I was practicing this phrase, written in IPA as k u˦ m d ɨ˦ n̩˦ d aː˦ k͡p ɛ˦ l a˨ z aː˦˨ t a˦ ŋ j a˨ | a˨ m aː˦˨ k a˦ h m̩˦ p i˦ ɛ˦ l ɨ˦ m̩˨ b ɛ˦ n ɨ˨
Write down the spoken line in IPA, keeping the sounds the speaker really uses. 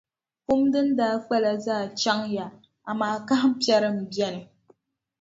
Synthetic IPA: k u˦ m d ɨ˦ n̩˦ d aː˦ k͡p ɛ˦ l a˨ z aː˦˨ t͡ʃ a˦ ŋ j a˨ | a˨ m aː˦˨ k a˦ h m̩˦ p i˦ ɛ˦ ɾ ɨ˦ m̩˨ b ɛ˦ n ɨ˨